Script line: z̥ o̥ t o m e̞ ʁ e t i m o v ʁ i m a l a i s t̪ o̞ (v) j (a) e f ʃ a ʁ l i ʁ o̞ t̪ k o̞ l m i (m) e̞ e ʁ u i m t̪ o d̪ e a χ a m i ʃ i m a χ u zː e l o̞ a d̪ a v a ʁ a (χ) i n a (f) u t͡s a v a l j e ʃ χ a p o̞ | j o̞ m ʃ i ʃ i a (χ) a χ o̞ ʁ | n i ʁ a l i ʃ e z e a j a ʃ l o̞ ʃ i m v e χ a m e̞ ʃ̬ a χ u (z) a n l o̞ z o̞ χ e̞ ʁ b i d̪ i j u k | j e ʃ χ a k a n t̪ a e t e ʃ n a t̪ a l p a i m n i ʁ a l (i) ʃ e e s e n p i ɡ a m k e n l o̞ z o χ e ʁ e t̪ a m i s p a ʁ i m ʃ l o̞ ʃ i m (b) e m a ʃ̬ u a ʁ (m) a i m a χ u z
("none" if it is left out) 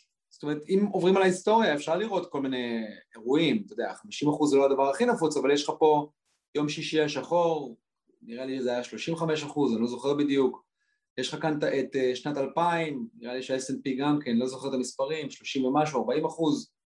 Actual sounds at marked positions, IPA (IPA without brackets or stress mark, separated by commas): ʁ, a, n, χ, f, ʃ, z, i, v, b